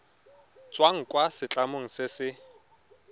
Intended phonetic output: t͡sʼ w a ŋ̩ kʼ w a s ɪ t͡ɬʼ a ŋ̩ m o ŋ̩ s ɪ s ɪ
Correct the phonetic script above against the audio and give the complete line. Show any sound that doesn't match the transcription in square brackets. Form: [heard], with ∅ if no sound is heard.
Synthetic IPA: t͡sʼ w a ŋ̩ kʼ w a s ɪ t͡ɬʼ a [∅] m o ŋ̩ s ɪ s ɪ